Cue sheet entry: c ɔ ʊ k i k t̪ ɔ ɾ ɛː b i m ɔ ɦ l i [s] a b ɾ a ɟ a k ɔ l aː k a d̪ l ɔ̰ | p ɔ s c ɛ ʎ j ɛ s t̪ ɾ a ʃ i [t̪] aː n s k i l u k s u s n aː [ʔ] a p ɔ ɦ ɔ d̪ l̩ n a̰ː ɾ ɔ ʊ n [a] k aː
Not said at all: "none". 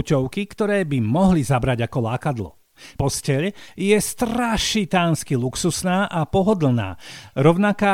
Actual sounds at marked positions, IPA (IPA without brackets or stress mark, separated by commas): z, t̪, ʔ, a